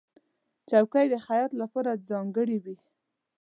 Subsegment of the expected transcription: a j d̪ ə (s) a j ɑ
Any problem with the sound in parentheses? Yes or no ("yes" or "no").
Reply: yes